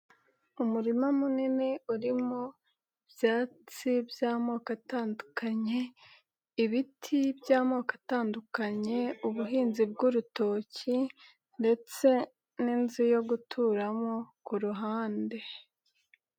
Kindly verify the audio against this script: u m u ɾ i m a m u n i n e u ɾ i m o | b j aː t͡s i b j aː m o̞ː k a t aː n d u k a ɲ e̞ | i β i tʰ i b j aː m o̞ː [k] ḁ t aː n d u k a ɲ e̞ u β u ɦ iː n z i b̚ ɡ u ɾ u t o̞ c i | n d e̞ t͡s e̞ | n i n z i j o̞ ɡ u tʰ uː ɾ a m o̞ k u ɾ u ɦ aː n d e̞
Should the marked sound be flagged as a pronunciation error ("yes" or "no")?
no